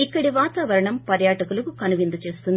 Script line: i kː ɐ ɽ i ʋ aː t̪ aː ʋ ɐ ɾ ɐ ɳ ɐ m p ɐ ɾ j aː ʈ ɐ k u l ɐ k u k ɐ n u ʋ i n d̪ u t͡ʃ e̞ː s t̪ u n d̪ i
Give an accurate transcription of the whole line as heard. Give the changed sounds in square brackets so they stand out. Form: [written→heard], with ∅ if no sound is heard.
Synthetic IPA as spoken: i kː ɐ ɽ i ʋ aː t̪ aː ʋ ɐ ɾ ɐ ɳ ɐ m p ɐ ɾ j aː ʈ ɐ k u l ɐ k u k ɐ n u ʋ i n d̪ u t͡ʃ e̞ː s t̪ u n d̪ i